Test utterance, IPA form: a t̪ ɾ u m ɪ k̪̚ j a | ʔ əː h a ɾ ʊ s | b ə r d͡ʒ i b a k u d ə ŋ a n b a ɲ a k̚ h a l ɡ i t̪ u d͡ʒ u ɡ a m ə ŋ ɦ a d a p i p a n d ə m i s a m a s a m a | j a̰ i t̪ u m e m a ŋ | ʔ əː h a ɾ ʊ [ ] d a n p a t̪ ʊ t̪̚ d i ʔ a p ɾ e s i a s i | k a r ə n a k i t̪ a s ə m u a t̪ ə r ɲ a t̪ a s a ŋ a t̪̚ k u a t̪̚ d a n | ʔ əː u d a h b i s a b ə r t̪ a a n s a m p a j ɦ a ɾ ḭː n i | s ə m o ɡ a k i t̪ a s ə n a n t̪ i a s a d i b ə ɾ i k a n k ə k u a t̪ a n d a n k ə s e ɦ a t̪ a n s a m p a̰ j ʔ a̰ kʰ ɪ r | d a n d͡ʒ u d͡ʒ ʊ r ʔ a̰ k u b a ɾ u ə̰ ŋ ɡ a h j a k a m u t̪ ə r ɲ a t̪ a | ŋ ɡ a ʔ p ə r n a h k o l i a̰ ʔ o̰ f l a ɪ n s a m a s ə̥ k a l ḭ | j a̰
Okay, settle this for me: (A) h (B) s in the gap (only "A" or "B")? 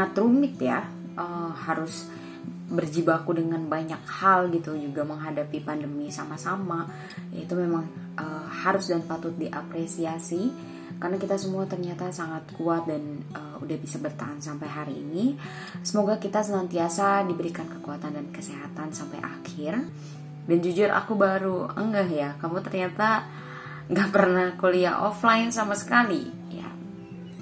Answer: B